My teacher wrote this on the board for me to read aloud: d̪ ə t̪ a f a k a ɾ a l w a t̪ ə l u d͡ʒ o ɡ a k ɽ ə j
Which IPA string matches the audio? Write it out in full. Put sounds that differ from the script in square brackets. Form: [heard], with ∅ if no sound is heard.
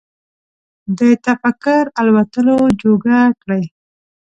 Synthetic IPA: d̪ ə t̪ a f a k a ɾ a l w a t̪ ə l [o] d͡ʒ o ɡ a k ɽ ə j

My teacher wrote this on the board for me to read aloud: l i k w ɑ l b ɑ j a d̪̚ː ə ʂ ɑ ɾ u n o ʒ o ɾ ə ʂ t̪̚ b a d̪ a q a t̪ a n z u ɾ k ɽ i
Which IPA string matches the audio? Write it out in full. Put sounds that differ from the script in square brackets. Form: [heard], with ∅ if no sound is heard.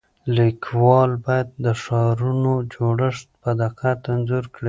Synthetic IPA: l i k w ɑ l b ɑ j a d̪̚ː ə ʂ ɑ ɾ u n o [d͡ʒ] o [ɽ] ə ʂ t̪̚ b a d̪ a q a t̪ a n z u ɾ k ɽ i

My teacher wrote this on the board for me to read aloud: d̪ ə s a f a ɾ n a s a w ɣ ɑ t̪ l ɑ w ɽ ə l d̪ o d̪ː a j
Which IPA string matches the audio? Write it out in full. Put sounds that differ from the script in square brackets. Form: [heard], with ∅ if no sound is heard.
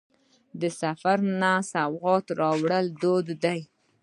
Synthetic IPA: d̪ ə s a f a ɾ n a s a w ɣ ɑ t̪ [ɾ] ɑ w ɽ ə l d̪ o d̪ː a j

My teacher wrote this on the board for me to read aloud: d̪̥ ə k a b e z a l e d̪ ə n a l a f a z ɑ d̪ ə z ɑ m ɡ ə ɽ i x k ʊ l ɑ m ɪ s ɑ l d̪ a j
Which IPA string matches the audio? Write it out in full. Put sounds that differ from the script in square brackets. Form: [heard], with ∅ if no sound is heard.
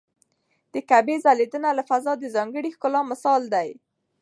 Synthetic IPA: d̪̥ ə k a b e z a l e d̪ ə n a l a f a z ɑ d̪ ə z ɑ [ŋ] ɡ ə ɽ i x k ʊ l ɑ m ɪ s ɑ l d̪ a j

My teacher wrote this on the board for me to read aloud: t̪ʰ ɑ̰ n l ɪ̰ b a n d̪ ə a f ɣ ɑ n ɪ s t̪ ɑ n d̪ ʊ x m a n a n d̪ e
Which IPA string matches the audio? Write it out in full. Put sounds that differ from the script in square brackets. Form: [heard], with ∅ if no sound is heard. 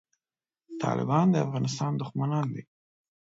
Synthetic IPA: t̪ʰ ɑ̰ [∅] l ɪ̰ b [ɑ] n d̪ ə a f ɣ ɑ n ɪ s t̪ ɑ n d̪ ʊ x m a n [ɑ] n d̪ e

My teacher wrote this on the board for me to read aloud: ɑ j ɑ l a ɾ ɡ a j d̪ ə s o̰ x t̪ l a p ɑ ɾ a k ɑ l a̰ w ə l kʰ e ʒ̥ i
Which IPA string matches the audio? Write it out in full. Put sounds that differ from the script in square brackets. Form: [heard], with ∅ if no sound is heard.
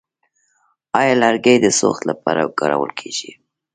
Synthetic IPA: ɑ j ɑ l a ɾ ɡ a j d̪ ə s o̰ x t̪ l a p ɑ ɾ a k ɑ [ɾ] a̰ w ə l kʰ e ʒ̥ i

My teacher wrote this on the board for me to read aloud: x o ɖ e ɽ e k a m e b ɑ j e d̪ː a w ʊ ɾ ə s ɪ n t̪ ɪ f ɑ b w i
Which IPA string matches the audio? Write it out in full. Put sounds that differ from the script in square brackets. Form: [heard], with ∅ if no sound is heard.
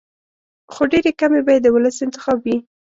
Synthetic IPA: x o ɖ e [ɾ] e k a m e b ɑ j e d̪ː [ə] w ʊ [l] ə s ɪ n t̪ ɪ [x] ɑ b w i

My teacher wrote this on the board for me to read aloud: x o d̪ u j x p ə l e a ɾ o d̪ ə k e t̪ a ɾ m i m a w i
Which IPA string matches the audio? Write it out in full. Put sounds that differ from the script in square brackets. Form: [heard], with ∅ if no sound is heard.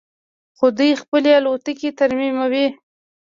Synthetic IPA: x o d̪ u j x p ə l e a [l] o [t̪] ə k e t̪ a ɾ m i m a w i

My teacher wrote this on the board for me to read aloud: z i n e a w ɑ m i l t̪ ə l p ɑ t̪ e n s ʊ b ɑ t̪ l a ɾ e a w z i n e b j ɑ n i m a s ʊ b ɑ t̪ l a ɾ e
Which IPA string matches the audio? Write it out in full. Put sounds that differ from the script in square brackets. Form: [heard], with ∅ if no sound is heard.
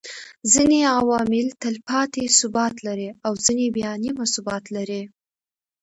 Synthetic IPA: z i n e a w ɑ m [ɪ] l t̪ ə l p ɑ t̪ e [∅] s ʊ b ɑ t̪ l a ɾ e a w z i n e b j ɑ n i m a s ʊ b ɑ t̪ l a ɾ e

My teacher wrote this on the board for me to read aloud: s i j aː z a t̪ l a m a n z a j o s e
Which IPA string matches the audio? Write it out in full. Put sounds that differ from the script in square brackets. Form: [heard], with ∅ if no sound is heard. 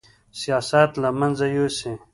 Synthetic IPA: s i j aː [s] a t̪ l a m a n z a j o s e

